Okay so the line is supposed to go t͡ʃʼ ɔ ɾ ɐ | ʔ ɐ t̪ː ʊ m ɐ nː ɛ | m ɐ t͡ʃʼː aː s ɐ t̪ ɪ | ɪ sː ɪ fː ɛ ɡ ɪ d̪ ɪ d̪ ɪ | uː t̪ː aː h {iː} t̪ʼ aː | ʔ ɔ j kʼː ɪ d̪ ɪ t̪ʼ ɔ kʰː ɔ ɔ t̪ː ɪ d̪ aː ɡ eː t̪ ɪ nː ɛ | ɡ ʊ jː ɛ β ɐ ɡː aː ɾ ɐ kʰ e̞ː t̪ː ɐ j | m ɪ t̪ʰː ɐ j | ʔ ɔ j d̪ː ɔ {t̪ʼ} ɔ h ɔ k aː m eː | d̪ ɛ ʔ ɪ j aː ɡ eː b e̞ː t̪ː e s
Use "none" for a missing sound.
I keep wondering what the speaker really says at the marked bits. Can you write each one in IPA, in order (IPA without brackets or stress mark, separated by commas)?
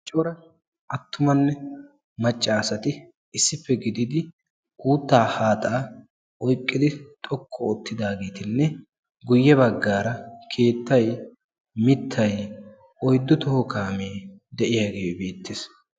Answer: aː, t̪